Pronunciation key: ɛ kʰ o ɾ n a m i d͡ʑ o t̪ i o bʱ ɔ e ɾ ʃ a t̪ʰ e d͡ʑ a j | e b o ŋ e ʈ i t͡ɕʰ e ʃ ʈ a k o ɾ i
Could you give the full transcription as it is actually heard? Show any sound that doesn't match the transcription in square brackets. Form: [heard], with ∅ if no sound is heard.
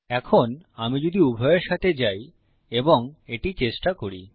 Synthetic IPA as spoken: ɛ kʰ o [∅] n a m i d͡ʑ o [d̪] i [u] bʱ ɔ e ɾ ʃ a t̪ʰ e d͡ʑ a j | e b o ŋ e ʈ i [t͡ɕ] e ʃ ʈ a k o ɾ i